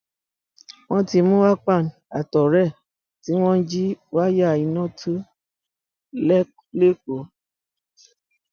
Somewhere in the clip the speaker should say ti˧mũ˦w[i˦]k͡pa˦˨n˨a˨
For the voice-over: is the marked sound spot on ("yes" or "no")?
no